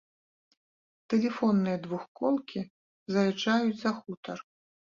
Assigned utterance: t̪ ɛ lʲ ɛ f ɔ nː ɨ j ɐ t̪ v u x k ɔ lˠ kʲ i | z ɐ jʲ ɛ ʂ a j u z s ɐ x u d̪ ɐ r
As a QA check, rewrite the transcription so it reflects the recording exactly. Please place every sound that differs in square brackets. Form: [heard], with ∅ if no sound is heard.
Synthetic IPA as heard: t̪ ɛ lʲ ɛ f ɔ nː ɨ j ɐ [d̪] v u x k ɔ lˠ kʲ i | z ɐ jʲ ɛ [t͡ʂ] a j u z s ɐ x u [t̪] ɐ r